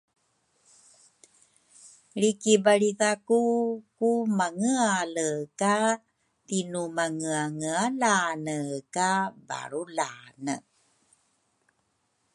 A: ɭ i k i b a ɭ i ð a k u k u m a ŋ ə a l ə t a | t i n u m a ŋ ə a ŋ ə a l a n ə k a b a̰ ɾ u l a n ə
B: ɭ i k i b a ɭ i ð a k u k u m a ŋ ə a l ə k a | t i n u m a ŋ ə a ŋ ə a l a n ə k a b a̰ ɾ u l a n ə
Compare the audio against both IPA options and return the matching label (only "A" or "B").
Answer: B